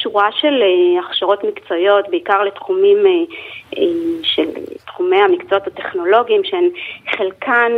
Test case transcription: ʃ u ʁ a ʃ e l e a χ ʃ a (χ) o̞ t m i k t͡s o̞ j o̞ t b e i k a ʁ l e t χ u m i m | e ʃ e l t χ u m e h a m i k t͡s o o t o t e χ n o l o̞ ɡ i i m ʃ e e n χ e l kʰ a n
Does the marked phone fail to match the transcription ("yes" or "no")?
yes